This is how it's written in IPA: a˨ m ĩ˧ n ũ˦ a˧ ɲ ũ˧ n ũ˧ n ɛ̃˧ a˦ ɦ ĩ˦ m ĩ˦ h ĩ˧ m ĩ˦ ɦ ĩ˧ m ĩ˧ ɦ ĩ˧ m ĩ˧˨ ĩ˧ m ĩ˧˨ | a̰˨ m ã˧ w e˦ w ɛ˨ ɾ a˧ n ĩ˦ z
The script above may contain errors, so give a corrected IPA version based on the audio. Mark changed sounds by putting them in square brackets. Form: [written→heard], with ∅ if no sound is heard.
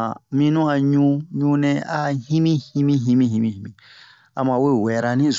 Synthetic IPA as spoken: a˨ m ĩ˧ n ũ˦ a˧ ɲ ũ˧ [n→ɲ] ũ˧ n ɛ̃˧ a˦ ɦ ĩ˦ m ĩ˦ h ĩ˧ m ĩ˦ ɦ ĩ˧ m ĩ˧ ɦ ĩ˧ m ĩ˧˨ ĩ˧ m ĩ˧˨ | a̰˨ m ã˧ w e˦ w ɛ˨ ɾ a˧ n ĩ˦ z